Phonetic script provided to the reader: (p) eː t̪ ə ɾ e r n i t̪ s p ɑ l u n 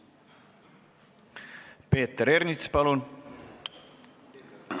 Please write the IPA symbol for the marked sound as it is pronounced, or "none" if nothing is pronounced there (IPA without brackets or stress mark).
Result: p